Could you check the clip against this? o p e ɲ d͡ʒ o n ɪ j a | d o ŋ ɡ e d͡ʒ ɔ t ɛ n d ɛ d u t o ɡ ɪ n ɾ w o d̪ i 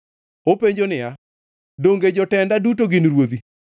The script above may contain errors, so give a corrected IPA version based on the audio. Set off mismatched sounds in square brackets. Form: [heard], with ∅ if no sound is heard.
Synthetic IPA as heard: o p e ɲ d͡ʒ o n ɪ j a | d o ŋ ɡ e d͡ʒ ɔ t ɛ n d [a] d u t o ɡ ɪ n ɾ w o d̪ i